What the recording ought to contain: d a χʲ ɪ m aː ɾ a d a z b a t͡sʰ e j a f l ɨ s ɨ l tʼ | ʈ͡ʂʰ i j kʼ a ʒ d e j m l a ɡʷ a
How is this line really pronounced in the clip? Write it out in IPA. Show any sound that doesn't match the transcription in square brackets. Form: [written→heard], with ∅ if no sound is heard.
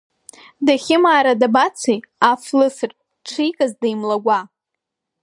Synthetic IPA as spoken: d a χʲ ɪ m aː ɾ a d a [z→∅] b a t͡sʰ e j a f l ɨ s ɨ [l→r] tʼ | ʈ͡ʂʰ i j kʼ a [ʒ→z] d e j m l a ɡʷ a